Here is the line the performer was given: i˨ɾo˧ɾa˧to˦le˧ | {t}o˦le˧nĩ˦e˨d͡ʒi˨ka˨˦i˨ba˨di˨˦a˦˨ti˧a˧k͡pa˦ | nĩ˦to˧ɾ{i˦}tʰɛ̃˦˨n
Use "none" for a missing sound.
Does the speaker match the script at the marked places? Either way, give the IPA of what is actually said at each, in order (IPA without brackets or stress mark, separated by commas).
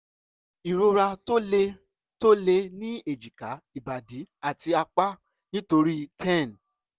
t, i˦